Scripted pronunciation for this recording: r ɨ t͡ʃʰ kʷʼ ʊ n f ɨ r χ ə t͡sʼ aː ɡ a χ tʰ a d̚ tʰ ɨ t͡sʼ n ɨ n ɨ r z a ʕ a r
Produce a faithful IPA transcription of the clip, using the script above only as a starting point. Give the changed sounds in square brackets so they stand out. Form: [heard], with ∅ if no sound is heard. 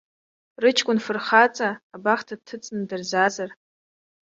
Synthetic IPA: r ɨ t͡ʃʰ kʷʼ ʊ n f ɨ r χ [a] t͡sʼ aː [b] a χ tʰ a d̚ tʰ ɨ t͡sʼ n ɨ [d] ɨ r z a [z] a r